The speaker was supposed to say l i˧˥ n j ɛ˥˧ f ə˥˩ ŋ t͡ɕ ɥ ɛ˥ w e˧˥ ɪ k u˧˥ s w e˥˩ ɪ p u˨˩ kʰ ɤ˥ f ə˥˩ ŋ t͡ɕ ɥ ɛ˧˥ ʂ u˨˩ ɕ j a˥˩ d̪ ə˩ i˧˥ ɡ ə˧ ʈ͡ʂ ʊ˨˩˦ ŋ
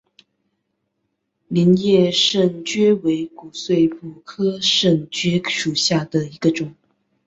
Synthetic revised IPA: l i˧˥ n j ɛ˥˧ ʂ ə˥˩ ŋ t͡ɕ ɥ ɛ˥ w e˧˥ ɪ k u˨˩ s w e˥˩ ɪ p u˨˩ kʰ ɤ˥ ʂ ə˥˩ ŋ t͡ɕ ɥ ɛ˥ ʂ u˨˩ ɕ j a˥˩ d̪ ə˩ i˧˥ ɡ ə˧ ʈ͡ʂ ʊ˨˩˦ ŋ